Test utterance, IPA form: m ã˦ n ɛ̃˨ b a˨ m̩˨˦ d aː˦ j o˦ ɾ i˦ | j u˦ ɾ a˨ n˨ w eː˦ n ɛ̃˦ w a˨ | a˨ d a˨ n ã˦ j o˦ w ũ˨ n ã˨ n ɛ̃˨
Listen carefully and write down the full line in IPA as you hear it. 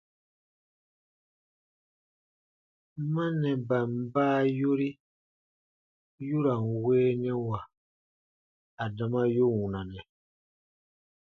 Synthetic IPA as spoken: m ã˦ n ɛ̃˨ b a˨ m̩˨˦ b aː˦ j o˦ ɾ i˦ | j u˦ ɾ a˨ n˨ w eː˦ n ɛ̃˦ w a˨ | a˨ d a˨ m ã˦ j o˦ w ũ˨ n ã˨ n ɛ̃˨